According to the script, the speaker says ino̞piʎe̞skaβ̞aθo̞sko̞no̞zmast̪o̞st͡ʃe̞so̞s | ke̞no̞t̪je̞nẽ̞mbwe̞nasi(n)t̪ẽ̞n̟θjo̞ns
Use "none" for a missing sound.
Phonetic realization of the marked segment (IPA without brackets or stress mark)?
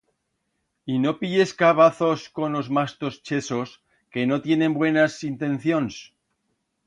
n